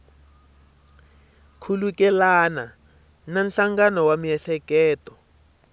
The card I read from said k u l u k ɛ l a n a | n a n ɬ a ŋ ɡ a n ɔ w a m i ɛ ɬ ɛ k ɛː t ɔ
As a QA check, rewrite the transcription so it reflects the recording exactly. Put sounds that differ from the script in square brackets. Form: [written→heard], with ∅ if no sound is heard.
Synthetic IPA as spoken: [k→kʰ] u l u k ɛ l a n a | n a n ɬ a ŋ ɡ a n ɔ w a m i ɛ ɬ ɛ k ɛː t ɔ